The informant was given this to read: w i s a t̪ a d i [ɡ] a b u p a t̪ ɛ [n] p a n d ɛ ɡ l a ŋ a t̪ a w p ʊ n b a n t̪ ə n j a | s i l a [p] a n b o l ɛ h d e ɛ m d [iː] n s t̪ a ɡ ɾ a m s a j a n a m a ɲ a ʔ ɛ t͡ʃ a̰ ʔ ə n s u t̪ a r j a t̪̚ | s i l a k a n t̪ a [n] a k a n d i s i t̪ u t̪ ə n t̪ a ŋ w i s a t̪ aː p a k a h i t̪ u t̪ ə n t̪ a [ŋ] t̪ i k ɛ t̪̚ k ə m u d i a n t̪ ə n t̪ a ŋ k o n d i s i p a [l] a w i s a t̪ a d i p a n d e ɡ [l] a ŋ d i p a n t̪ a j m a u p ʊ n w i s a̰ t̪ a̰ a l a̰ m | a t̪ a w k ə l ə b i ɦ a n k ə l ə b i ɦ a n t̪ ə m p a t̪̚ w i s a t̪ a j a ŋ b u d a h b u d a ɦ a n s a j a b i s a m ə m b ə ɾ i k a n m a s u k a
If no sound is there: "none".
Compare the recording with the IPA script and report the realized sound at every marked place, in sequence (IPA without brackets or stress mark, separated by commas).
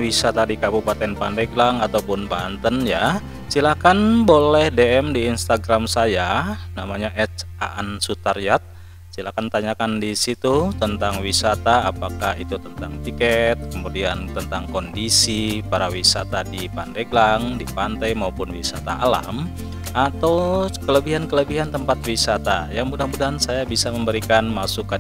k, n, k, iː, ɲ, ŋ, ɾ, l